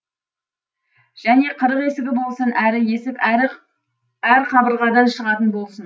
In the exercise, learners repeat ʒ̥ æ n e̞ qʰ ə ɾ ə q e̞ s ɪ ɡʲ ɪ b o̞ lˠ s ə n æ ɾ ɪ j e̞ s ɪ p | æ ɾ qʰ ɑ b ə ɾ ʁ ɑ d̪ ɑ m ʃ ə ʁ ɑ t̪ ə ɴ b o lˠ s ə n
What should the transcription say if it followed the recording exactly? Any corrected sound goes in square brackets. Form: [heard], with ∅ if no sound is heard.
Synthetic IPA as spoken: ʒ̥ æ n e̞ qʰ ə ɾ ə q e̞ s ɪ ɡʲ ɪ b o̞ lˠ s ə n æ ɾ ɪ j e̞ s ɪ p | æ ɾ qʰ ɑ b ə ɾ ʁ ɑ d̪ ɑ [n] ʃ ə ʁ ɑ t̪ ə [n] b o lˠ s ə n